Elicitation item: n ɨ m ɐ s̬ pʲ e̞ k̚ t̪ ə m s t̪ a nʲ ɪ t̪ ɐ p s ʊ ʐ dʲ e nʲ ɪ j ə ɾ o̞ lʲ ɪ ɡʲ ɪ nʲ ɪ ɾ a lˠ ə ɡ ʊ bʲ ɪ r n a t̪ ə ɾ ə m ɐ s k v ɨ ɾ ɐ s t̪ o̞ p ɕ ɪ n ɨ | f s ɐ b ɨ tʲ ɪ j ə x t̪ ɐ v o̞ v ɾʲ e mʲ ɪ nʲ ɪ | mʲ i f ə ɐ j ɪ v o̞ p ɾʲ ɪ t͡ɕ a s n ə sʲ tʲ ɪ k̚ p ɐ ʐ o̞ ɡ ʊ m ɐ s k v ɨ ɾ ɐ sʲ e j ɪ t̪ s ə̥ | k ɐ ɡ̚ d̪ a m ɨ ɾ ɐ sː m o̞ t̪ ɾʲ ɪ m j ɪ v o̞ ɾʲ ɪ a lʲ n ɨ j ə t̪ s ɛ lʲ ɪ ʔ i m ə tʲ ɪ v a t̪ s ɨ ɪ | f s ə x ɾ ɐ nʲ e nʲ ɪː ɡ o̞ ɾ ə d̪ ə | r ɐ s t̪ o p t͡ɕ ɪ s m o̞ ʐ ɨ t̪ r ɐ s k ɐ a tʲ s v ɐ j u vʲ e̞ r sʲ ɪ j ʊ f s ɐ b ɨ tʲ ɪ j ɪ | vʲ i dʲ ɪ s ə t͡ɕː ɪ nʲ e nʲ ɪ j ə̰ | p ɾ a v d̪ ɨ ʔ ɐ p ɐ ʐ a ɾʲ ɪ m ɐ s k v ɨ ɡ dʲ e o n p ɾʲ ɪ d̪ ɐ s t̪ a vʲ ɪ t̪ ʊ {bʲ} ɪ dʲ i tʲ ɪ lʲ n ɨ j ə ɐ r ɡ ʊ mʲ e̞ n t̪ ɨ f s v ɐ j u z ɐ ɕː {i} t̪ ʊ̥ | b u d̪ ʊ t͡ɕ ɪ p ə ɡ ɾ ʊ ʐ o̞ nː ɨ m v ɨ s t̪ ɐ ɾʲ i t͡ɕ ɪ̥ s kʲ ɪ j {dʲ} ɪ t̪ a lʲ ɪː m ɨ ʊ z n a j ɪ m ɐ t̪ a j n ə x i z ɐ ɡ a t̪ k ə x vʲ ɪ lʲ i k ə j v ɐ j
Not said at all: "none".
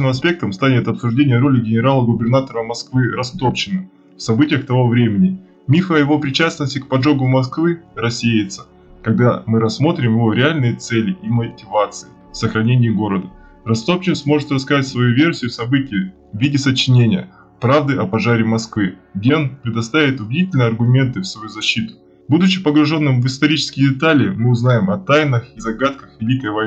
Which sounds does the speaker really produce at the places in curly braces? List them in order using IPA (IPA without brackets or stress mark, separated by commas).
bʲ, i, dʲ